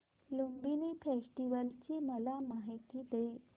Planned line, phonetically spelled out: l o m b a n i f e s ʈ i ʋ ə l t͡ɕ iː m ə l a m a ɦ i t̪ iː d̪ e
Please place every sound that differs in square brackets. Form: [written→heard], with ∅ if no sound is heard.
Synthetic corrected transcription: l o m b [a→i] n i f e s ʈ i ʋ ə l t͡ɕ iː m ə l a m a ɦ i t̪ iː d̪ e